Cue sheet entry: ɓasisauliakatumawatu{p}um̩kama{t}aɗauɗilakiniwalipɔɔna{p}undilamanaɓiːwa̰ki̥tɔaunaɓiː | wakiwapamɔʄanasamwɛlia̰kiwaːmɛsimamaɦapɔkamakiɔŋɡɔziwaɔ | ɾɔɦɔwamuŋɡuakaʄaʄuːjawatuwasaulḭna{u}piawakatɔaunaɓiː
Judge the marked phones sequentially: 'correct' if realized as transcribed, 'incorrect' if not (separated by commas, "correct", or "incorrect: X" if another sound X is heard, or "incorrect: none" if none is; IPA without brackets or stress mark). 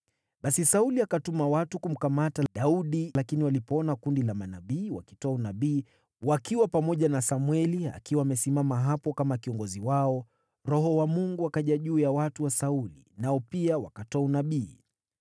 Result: incorrect: k, correct, incorrect: k, incorrect: ɔ